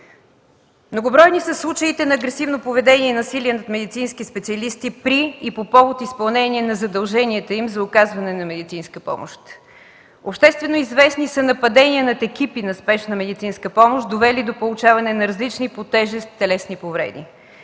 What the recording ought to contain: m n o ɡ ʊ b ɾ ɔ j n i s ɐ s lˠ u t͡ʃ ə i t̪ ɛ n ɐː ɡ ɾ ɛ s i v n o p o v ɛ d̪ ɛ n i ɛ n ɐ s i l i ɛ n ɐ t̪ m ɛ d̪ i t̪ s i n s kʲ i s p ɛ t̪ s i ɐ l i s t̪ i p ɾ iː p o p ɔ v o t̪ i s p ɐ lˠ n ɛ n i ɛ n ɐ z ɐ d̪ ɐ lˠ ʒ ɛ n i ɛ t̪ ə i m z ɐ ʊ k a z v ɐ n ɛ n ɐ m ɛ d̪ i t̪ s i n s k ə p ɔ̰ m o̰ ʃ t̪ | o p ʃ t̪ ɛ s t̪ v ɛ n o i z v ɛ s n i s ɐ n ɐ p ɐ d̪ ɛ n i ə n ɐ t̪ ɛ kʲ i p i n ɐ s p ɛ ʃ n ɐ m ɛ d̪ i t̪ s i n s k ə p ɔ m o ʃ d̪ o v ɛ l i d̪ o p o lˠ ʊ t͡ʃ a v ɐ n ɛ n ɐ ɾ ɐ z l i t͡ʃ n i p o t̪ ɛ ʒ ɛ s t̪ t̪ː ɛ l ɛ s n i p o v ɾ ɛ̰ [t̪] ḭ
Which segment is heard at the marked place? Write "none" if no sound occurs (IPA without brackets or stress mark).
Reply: d̪